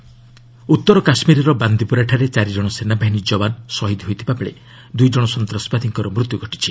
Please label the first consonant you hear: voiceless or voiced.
voiceless